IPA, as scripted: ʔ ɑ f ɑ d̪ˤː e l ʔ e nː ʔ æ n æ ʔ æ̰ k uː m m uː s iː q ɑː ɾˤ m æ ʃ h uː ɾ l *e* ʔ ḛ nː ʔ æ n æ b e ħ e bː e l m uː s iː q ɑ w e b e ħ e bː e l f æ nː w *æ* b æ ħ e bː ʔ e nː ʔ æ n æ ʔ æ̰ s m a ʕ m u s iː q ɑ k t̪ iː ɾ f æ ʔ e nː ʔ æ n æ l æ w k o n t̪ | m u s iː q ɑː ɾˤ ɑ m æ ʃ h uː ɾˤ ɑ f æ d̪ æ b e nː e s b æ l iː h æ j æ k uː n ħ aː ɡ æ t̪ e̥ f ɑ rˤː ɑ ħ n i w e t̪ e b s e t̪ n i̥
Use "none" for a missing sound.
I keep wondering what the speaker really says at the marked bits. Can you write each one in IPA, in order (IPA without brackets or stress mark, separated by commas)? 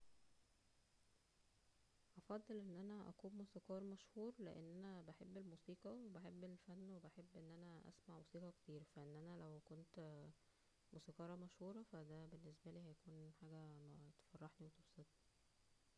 e, e